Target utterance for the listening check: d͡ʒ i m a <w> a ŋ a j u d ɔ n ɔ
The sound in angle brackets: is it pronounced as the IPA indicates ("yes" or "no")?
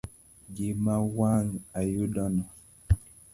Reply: yes